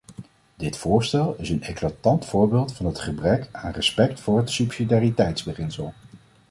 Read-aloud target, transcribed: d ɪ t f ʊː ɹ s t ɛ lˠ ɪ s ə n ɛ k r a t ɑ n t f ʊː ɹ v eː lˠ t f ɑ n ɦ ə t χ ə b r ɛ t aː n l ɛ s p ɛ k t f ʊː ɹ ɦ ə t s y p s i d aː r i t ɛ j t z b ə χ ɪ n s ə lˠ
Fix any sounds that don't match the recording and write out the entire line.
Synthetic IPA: d ɪ t f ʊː ɹ s t ɛ lˠ ɪ s ə n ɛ k l a t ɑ n t f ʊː ɹ b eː lˠ t f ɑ n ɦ ə t χ ə b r ɛ k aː n r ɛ s p ɛ k t f ʊː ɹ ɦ ə t s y p s i d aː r i t ɛ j t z b ə χ ɪ n s ə lˠ